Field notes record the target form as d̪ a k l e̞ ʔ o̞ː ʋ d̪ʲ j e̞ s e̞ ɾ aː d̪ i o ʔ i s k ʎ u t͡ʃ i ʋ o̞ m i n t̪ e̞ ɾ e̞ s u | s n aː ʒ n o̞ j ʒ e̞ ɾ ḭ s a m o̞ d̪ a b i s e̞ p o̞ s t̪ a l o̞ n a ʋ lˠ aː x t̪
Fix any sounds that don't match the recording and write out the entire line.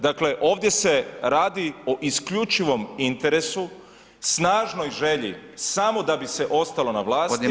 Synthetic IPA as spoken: d̪ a k l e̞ ʔ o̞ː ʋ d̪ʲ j e̞ s e̞ ɾ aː d̪ i o ʔ i s k ʎ u t͡ʃ i ʋ o̞ m i n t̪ e̞ ɾ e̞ s u | s n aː ʒ n o̞ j ʒ e̞ ʎ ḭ s a m o̞ d̪ a b i s e̞ ʔ o̞ s t̪ a l o̞ n a ʋ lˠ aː s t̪

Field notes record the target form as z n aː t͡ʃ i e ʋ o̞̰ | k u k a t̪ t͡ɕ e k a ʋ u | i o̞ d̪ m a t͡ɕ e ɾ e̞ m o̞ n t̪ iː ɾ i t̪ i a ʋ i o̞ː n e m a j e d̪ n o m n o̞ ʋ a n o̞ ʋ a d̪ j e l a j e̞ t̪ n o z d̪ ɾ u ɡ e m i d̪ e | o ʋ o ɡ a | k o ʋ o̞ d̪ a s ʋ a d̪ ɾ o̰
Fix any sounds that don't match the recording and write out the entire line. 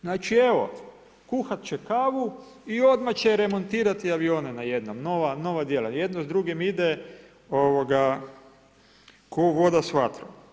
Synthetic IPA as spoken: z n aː t͡ʃ i e ʋ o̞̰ | k u x a t̪ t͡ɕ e k a ʋ u | i o̞ d̪ m a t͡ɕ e ɾ e̞ m o̞ n t̪ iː ɾ a t̪ i a ʋ i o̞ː n e n a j e d̪ n o m n o̞ ʋ a n o̞ ʋ a d̪ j e l a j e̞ d̪ n o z d̪ ɾ u ɡ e m i d̪ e | o ʋ o ɡ a | k o ʋ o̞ d̪ a s ʋ a t̪ ɾ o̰

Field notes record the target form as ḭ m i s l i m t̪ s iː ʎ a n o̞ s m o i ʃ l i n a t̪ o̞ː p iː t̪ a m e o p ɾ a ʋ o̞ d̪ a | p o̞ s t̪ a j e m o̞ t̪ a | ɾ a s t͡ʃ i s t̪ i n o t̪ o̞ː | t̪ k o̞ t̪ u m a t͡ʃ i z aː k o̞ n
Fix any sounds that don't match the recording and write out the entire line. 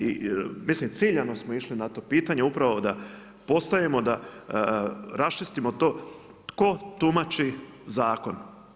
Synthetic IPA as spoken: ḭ m i s l i m t̪ s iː ʎ a n o̞ s m o i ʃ l i n a t̪ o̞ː p iː t̪ a ɲ e u p ɾ a ʋ o̞ d̪ a | p o̞ s t̪ a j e m o̞ d̪ a | ɾ a s t͡ʃ i s t̪ i m o t̪ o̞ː | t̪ k o̞ t̪ u m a t͡ʃ i z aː k o̞ n

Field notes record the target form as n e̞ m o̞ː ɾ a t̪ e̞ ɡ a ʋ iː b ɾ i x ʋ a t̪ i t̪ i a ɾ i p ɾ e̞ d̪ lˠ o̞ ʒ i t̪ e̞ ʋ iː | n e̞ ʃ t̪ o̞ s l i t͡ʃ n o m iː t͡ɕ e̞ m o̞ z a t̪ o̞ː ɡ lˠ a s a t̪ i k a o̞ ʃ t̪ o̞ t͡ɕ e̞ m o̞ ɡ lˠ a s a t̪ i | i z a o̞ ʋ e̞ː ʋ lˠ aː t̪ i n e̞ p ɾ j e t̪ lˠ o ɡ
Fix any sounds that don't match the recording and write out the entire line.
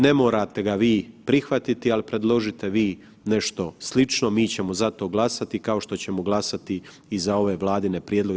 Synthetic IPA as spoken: n e̞ m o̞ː ɾ a t̪ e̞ ɡ a ʋ iː p ɾ i x ʋ a t̪ i t̪ i a l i p ɾ e̞ d̪ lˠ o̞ ʒ i t̪ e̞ ʋ iː | n e̞ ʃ t̪ o̞ s l i t͡ʃ n o m iː t͡ɕ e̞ m o̞ z a t̪ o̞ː ɡ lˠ a s a t̪ i k a o̞ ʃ t̪ o̞ t͡ɕ e̞ m o̞ ɡ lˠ a s a t̪ i | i z a o̞ ʋ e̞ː ʋ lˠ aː d̪ i n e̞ p ɾ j e d̪ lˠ o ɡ

